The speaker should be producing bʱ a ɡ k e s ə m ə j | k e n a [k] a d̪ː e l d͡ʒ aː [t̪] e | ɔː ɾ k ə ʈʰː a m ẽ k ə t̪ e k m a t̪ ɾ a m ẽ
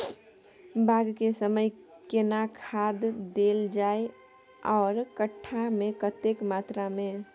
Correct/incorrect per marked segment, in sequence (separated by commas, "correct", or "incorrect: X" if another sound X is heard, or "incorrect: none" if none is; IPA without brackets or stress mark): incorrect: kʰ, incorrect: none